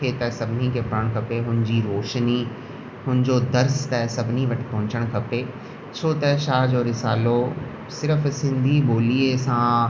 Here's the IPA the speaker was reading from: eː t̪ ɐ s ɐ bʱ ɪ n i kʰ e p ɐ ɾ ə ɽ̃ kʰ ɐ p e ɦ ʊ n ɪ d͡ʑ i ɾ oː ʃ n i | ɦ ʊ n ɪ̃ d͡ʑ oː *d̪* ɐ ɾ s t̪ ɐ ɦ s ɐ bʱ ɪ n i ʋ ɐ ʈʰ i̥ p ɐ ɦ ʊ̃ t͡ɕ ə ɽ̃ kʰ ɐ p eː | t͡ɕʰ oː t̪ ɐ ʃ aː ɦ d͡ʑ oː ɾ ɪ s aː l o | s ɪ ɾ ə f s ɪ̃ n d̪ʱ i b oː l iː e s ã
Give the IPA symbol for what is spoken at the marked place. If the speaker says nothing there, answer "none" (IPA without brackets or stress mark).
d̪